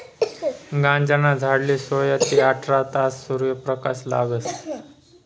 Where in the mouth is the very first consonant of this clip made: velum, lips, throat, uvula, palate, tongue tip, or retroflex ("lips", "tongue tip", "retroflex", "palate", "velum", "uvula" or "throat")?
velum